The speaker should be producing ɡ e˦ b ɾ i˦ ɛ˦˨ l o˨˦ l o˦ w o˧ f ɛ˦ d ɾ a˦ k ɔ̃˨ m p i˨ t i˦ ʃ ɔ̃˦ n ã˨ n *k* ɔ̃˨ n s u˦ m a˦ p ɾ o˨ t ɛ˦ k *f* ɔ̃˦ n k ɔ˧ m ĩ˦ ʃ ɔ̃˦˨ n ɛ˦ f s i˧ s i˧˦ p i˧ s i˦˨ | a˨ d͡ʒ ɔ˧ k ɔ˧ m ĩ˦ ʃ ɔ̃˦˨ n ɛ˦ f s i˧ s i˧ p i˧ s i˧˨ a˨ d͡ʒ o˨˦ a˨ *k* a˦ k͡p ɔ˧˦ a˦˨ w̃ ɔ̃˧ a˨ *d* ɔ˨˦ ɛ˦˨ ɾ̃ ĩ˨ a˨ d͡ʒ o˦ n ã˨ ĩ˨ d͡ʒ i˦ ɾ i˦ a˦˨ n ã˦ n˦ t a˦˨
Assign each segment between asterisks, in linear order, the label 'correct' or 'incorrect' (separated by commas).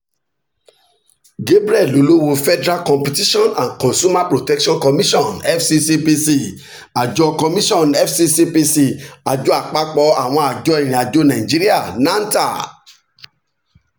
correct, incorrect, incorrect, incorrect